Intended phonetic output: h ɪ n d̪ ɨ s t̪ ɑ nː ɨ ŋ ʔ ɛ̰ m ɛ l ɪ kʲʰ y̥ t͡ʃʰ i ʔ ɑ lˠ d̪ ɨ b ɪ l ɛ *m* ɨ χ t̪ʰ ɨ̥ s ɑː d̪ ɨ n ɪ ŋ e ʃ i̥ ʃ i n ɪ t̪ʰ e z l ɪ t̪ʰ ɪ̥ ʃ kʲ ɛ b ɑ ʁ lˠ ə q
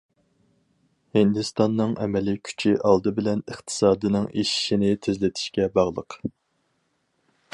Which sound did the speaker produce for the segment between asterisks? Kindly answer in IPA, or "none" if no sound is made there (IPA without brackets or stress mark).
n